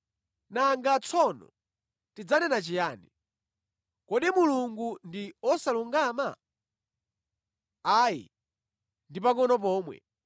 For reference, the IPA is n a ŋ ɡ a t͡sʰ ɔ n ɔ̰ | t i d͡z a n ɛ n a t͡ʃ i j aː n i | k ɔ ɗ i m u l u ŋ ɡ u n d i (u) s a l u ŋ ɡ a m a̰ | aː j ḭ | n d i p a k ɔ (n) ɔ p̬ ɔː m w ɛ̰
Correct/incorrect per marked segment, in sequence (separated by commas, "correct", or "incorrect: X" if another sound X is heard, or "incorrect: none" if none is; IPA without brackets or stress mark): incorrect: ɔ, correct